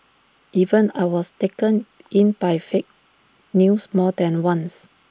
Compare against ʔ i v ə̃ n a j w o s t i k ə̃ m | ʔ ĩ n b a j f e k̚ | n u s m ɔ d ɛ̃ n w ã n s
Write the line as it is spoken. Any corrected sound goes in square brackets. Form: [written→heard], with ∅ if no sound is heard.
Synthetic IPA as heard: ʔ i v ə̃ n a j w [o→ɔ] s t [i→e] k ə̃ [m→n] | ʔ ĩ n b a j f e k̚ | n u s m ɔ d ɛ̃ n w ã n s